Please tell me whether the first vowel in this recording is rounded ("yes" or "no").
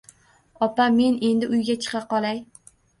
yes